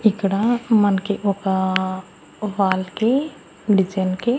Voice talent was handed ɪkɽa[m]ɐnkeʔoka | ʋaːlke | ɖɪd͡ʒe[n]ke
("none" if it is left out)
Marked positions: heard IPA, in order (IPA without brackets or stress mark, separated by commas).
m, n